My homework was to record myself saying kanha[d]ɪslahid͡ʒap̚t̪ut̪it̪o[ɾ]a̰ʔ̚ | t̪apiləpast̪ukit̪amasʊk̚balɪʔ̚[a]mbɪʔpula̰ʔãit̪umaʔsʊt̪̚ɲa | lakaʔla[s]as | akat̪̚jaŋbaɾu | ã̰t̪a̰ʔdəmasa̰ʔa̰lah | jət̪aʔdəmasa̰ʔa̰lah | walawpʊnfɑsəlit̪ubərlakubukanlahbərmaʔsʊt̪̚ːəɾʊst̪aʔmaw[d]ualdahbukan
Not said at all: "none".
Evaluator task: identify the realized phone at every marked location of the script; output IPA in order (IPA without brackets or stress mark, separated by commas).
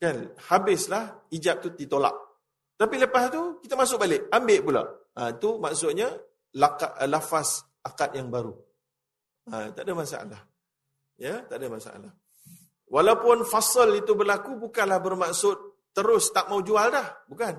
b, l, a, f, d͡ʒ